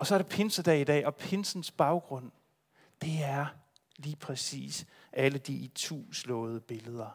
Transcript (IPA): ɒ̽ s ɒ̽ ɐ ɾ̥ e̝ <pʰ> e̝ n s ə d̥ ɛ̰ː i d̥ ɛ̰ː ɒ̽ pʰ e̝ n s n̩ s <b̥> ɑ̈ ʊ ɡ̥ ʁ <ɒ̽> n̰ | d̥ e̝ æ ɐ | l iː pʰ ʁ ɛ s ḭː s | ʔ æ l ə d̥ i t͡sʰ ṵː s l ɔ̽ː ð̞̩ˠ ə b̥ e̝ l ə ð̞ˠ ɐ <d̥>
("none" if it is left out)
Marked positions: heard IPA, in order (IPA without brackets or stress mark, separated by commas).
pʰ, b̥, ɔ̽, none